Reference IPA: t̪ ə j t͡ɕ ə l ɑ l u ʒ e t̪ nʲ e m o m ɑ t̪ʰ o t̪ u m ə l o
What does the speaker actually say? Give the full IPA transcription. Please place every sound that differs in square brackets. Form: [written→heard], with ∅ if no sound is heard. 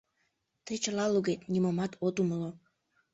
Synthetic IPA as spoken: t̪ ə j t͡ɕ ə l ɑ l u [ʒ→ɣ] e t̪ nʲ [e→i] m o m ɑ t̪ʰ o t̪ u m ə l o